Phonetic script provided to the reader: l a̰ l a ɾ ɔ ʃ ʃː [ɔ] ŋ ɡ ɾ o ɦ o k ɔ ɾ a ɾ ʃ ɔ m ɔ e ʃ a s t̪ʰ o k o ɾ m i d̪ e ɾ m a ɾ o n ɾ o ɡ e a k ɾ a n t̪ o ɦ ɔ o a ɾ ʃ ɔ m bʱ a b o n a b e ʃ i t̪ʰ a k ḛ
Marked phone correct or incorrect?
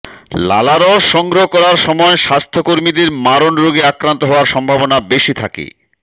correct